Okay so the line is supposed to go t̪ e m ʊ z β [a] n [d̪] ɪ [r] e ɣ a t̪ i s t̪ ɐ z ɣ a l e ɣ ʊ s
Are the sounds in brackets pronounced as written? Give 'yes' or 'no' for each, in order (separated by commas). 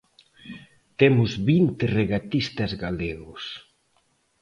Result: no, no, yes